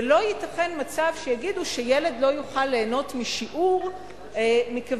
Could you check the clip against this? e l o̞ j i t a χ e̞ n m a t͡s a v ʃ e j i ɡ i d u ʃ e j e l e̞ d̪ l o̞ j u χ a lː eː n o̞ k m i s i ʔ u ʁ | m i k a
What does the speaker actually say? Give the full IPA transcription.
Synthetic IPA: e l o̞ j i t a χ e̞ n m a t͡s a v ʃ e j a ɡ i d u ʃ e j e l e̞ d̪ l o̞ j u χ a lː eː n o̞ t m i ʃ i ʔ u ʁ | m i k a

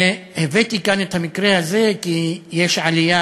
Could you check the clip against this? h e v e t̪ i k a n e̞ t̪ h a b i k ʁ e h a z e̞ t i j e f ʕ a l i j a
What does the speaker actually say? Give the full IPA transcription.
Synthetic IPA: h e v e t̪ i k a n e̞ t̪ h a m i k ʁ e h a z e̞ k i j e ʃ ʕ a l i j a

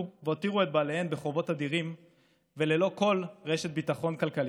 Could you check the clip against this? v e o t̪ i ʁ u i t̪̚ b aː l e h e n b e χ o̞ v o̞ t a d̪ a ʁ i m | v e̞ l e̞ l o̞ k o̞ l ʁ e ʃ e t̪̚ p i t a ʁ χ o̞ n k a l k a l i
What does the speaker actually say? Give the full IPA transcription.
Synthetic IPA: v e o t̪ i ʁ u e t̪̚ b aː l e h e n b e χ o̞ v o̞ t a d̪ i ʁ i m | v e̞ l e̞ l o̞ k o̞ l ʁ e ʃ e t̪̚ b i t a χ o̞ n k a l k a l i

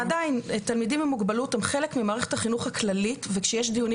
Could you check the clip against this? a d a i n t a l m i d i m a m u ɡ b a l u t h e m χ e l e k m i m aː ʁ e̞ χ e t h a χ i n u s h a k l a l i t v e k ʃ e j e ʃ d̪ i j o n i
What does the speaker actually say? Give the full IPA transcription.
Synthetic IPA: a d a i n t a l m i d i m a m u ɡ b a l u t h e m χ e l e k m i m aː ʁ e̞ χ e t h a χ i n u χ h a k l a l i t v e k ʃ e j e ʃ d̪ i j u n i

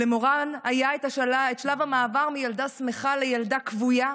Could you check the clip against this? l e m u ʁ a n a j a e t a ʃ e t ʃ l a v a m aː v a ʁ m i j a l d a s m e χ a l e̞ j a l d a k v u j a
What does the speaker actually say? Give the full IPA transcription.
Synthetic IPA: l e m o ʁ a n a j a e t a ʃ e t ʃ l a v a m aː v a ʁ m i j a l d a s m e χ a l e̞ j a l d a k v u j a

